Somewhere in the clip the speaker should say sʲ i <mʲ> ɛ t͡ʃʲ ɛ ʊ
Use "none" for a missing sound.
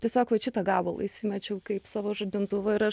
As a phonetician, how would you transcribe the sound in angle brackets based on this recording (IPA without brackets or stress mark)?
mʲ